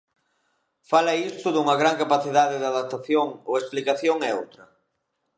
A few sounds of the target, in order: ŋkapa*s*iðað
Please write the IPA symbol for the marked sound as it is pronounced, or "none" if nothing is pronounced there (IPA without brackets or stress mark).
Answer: θ